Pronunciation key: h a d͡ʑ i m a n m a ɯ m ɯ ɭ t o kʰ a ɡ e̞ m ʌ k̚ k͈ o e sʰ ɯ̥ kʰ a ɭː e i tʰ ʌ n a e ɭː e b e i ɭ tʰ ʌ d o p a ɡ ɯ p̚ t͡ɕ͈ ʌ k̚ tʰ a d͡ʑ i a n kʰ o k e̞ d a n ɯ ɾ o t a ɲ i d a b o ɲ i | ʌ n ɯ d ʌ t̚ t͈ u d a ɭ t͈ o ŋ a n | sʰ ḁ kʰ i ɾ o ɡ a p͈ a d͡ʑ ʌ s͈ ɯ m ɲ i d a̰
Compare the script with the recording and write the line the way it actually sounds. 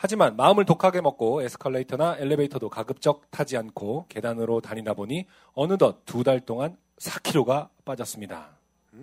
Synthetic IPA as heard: h a d͡ʑ i m a n m a ɯ m ɯ ɭ t o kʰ a ɡ e̞ m ʌ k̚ k͈ o e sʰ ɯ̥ kʰ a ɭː e i tʰ ʌ n a e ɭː e b e i tʰ ʌ d o k a ɡ ɯ p̚ t͡ɕ͈ ʌ k̚ tʰ a d͡ʑ i a n kʰ o k e̞ d a n ɯ ɾ o t a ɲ i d a b o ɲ i | ʌ n ɯ d ʌ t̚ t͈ u d a ɭ t͈ o ŋ a n | sʰ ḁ kʰ i ɾ o ɡ a p͈ a d͡ʑ ʌ s͈ ɯ m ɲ i d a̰